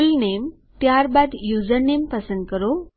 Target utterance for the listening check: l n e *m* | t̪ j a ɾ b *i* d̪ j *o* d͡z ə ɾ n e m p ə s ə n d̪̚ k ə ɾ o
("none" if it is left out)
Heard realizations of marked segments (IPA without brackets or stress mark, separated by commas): m, a, u